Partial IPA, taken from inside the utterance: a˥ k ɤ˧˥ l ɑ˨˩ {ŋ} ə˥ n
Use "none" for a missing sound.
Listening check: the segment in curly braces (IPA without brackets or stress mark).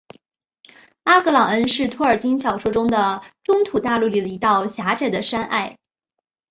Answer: ŋ